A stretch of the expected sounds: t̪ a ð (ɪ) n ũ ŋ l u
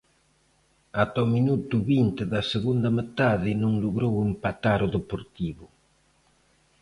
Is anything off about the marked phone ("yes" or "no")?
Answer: no